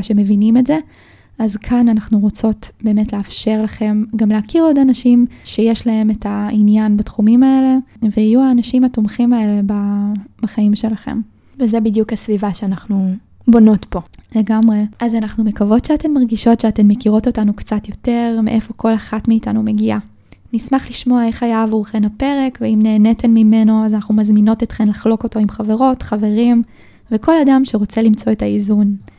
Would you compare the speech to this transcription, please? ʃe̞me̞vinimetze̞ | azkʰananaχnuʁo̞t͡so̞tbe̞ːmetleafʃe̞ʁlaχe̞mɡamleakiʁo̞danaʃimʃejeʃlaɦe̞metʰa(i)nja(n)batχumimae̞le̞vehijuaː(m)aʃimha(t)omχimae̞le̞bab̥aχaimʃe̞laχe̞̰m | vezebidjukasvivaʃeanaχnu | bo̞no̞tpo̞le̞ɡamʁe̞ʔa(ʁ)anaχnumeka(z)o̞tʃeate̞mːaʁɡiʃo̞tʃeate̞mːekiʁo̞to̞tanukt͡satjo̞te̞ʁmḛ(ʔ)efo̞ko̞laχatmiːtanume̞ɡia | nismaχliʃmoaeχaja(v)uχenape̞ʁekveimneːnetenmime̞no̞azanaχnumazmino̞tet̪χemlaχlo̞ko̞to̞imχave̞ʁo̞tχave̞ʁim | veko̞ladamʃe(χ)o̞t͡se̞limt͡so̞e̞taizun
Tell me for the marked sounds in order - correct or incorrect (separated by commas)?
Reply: correct, correct, incorrect, correct, incorrect, incorrect, correct, correct, incorrect